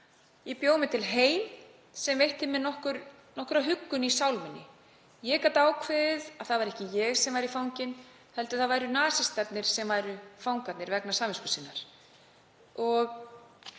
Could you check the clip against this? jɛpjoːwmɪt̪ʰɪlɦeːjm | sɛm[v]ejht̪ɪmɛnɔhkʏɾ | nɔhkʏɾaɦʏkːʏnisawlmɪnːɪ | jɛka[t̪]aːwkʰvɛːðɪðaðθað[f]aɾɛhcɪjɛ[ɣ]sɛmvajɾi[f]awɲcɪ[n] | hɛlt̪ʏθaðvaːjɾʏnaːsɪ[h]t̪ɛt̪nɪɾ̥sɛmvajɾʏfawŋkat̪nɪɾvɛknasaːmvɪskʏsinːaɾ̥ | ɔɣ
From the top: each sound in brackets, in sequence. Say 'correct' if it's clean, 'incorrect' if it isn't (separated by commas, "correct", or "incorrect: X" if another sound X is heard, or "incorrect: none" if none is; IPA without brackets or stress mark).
correct, correct, incorrect: v, correct, correct, correct, incorrect: s